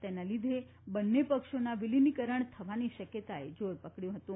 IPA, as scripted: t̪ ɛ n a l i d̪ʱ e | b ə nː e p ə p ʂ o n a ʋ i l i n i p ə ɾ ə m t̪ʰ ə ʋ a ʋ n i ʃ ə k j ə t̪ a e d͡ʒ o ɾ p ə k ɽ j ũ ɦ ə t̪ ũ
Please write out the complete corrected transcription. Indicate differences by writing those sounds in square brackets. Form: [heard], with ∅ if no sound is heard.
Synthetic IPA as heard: t̪ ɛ n a l i d̪ʱ e | b ə nː e p ə [k] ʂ o n a ʋ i l i n i [k] ə ɾ ə [ɳ] t̪ʰ ə ʋ a [∅] n i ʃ ə k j ə t̪ a e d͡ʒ o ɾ p ə k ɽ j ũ ɦ ə t̪ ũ